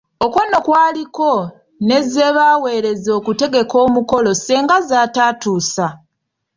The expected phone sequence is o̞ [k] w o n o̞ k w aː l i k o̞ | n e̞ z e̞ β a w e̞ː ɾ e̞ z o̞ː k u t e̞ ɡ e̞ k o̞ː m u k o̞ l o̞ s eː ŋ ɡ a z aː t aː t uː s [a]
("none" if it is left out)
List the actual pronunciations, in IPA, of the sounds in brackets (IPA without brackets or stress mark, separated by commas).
k, a